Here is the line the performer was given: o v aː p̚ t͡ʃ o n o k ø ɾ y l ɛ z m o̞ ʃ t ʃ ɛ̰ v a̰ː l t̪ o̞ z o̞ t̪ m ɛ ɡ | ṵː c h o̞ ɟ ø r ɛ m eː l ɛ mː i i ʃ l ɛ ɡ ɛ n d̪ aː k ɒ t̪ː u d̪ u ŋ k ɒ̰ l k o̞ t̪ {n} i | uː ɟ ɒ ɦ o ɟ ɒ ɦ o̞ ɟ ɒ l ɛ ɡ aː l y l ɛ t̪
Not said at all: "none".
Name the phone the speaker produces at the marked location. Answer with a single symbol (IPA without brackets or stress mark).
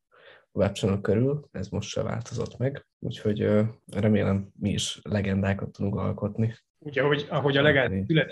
n